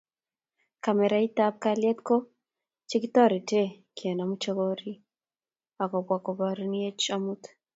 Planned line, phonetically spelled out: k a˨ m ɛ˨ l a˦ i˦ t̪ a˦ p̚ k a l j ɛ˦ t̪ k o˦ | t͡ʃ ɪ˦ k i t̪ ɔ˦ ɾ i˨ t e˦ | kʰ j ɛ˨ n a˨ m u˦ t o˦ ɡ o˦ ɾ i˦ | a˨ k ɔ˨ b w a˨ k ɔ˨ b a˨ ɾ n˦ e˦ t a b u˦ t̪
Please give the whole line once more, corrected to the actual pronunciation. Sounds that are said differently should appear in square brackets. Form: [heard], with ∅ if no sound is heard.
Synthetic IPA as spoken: k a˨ m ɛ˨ [ɾ] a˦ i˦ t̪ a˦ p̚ k a l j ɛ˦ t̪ k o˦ | t͡ʃ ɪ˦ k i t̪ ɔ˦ ɾ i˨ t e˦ | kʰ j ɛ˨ n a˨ m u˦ [t͡ʃ] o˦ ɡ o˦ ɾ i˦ | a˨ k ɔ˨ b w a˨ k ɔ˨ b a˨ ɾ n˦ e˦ [t͡ʃ] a [m] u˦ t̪